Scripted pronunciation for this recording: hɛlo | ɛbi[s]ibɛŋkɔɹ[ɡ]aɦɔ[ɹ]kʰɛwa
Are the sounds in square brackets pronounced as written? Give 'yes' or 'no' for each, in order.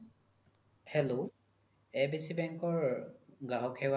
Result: yes, yes, no

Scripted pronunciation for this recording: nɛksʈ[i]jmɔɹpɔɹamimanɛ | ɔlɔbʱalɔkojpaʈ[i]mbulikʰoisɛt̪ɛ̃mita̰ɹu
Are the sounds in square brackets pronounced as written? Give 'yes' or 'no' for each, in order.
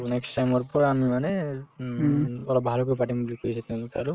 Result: no, yes

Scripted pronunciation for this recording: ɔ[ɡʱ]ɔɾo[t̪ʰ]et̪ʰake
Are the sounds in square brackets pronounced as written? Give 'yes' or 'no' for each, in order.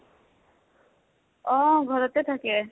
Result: yes, no

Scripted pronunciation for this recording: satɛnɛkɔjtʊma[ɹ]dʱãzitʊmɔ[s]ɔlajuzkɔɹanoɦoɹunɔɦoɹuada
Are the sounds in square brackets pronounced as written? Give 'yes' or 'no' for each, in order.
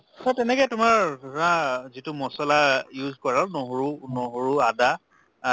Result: yes, yes

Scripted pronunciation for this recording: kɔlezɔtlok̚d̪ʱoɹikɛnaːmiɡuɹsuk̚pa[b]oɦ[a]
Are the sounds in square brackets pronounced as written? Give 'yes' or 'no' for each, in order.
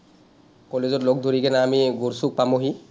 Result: no, no

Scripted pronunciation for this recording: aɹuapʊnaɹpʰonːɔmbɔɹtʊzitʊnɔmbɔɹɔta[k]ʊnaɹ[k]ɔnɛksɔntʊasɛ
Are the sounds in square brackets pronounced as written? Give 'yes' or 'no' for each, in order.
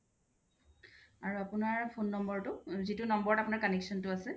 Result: no, yes

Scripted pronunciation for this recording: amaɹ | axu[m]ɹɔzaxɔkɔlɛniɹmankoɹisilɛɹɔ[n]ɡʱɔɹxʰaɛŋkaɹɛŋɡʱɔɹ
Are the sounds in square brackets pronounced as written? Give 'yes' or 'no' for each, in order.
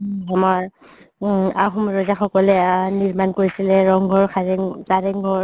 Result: yes, no

